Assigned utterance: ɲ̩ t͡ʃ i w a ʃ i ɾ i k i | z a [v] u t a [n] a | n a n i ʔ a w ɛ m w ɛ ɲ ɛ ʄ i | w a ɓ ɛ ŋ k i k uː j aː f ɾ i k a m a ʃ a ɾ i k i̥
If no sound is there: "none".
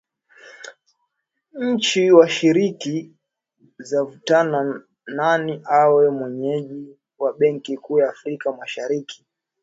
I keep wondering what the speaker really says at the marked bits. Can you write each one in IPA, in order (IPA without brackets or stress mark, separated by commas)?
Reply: v, n